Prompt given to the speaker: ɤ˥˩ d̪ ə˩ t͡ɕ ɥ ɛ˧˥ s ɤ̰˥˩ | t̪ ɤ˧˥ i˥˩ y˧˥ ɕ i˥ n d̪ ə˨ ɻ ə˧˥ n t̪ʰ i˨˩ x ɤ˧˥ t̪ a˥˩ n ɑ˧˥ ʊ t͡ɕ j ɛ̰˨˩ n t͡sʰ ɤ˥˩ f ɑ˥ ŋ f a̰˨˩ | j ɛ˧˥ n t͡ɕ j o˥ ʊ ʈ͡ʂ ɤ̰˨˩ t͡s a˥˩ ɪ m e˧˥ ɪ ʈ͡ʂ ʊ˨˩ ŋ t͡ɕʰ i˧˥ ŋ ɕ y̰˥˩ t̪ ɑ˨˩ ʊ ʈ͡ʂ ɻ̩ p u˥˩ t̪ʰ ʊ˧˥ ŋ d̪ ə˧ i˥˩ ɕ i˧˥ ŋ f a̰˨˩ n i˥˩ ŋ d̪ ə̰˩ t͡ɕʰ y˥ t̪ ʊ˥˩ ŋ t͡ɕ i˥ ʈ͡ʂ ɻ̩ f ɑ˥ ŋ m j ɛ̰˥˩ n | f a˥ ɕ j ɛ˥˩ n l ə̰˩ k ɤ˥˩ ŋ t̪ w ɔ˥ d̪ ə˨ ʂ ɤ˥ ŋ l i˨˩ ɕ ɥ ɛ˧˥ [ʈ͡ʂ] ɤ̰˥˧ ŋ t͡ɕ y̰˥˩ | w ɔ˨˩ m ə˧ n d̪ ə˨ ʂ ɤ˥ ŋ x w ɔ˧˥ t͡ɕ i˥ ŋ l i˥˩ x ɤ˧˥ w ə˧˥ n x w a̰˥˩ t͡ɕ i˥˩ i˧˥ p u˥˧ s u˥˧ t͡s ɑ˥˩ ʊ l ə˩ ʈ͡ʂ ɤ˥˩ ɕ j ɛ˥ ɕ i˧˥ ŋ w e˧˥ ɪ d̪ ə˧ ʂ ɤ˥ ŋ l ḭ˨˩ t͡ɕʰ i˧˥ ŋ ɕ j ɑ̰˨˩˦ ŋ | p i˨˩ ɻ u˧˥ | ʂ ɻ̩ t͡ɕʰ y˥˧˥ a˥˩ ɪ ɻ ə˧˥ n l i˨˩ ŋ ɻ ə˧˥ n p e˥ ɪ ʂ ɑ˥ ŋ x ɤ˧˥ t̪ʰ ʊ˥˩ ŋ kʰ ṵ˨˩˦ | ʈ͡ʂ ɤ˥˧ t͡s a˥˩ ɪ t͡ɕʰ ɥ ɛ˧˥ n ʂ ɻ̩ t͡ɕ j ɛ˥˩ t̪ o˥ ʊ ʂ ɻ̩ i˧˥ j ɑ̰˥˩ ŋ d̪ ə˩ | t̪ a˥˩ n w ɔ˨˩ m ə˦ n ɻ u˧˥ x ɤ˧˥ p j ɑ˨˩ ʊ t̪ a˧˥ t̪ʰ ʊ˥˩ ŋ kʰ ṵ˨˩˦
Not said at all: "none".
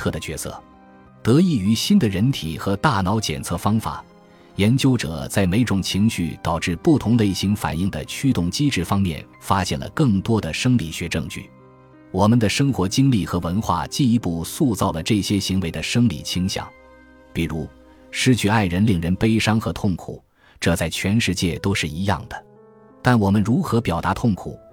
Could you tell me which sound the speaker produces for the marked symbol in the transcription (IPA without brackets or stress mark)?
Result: ʈ͡ʂ